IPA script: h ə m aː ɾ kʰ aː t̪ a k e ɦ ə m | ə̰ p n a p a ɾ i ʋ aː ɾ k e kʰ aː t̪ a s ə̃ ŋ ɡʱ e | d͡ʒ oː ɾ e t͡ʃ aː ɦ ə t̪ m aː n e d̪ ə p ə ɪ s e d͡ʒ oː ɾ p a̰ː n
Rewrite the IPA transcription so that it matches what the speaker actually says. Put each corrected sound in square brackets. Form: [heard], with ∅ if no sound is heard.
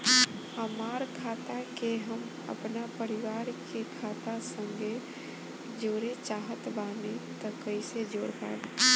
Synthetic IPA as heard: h ə m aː ɾ kʰ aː t̪ a k e ɦ ə m | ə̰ p n a p [ə] ɾ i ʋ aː ɾ k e kʰ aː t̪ a s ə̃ ŋ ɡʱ e | d͡ʒ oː ɾ e t͡ʃ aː ɦ ə t̪ [b] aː n e [t̪] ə [k] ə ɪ s e d͡ʒ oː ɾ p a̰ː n